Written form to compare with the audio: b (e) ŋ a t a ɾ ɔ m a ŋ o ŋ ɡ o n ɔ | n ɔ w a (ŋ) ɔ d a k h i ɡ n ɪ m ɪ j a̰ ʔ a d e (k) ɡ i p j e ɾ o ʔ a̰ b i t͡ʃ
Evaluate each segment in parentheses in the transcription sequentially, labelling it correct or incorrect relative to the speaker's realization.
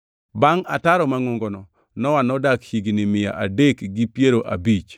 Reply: incorrect, incorrect, correct

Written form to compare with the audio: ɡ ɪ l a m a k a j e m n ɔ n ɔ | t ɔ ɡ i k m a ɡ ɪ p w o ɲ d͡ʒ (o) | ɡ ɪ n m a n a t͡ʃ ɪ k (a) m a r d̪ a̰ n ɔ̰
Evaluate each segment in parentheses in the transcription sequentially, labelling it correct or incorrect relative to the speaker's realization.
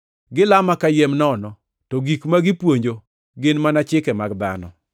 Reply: correct, incorrect

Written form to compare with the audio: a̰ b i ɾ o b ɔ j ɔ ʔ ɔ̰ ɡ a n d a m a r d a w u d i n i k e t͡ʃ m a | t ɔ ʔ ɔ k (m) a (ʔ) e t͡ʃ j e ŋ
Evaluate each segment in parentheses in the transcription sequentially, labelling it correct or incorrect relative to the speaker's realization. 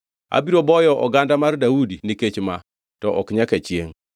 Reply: incorrect, incorrect

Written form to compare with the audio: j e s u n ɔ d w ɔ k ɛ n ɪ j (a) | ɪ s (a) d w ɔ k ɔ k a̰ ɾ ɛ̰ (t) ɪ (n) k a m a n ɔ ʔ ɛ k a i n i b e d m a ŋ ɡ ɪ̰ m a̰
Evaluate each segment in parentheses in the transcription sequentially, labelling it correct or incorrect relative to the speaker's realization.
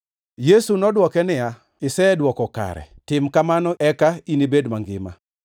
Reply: correct, incorrect, correct, incorrect

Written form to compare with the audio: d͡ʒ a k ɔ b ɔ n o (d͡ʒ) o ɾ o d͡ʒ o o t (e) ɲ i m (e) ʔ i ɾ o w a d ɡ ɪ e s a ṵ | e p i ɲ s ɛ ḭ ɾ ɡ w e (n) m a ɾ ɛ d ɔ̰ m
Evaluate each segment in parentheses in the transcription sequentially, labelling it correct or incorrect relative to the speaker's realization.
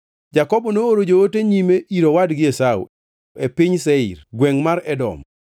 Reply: incorrect, correct, correct, incorrect

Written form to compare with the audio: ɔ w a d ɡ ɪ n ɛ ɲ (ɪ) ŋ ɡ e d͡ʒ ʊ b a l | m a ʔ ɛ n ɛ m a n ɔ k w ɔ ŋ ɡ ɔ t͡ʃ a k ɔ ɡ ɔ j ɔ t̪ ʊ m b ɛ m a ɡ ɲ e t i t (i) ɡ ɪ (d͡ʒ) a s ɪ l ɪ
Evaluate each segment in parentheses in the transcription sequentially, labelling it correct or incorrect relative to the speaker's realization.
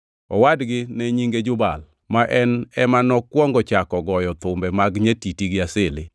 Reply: incorrect, correct, incorrect

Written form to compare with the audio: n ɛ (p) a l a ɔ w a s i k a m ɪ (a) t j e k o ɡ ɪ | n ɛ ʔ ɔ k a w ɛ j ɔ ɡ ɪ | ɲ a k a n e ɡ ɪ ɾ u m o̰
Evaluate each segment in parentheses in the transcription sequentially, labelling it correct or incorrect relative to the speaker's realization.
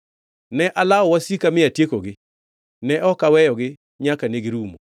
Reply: incorrect, correct

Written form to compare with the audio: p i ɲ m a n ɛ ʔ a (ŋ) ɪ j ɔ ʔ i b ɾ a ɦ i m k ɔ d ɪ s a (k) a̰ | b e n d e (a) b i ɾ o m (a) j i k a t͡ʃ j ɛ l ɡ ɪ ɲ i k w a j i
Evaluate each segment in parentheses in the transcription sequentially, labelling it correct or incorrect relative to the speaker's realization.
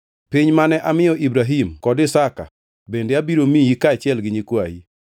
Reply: incorrect, correct, correct, incorrect

